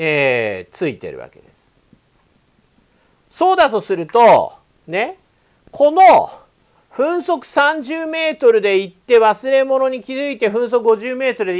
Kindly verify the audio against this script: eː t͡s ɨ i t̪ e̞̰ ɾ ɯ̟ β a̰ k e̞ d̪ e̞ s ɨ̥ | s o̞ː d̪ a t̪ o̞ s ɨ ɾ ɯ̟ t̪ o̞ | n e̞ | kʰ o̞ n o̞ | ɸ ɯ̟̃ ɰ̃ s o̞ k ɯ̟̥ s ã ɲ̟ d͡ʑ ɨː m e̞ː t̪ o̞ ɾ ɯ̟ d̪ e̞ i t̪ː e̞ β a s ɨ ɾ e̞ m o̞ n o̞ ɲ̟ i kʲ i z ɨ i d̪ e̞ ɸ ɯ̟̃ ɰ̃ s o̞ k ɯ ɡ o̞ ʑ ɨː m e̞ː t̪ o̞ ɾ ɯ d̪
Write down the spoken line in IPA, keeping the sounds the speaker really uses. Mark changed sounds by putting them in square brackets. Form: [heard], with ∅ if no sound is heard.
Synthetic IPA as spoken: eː t͡s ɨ i t̪ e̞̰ ɾ ɯ̟ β a̰ k e̞ d̪ e̞ s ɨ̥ | s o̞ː d̪ a t̪ o̞ s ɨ ɾ ɯ̟ t̪ o̞ | n e̞ | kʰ o̞ n o̞ | ɸ ɯ̟̃ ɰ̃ s o̞ k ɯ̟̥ s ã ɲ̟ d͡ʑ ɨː m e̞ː t̪ o̞ ɾ ɯ̟ d̪ e̞ i t̪ː e̞ β a s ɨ ɾ e̞ m o̞ n o̞ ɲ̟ i kʲ i z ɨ i [t̪] e̞ ɸ ɯ̟̃ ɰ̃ s o̞ k ɯ ɡ o̞ ʑ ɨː m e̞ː t̪ o̞ ɾ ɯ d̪